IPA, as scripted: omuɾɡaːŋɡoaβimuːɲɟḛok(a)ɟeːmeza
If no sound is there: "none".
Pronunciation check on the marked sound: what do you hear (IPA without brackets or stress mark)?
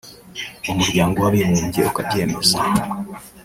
a